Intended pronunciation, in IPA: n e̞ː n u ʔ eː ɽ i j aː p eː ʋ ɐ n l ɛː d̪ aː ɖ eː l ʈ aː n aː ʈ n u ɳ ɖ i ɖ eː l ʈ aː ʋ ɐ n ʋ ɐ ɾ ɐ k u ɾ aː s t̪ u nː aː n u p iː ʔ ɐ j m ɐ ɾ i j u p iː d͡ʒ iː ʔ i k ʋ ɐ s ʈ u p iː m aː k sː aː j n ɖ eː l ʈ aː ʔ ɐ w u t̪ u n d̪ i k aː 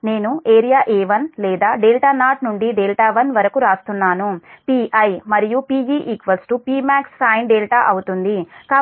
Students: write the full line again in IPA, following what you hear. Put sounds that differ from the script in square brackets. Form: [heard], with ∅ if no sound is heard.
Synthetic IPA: n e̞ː n u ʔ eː [ɾ] i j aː [ʔ] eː ʋ ɐ n l ɛː d̪ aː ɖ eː l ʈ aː n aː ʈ n u ɳ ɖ i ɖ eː l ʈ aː ʋ ɐ n ʋ ɐ ɾ ɐ k u ɾ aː s t̪ u nː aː n u p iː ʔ ɐ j m ɐ ɾ i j u p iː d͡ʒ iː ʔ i k ʋ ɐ s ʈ u p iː m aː k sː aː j n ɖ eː l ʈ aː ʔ ɐ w u t̪ u n d̪ i k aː